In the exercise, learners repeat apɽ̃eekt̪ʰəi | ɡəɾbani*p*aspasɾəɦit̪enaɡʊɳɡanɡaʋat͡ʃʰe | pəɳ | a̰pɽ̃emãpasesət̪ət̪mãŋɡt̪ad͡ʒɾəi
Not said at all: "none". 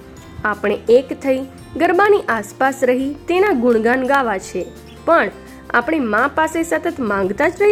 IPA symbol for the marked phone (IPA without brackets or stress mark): ʔ